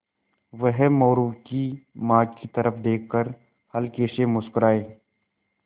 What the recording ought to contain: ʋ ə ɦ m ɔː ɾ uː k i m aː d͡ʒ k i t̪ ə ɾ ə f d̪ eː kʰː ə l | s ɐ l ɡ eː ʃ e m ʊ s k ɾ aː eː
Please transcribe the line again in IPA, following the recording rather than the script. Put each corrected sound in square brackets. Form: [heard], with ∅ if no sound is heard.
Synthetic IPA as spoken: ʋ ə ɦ m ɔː ɾ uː k i m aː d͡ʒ k i t̪ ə ɾ ə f d̪ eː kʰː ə [ɾ] | [h] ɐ l [k] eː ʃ e m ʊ s k ɾ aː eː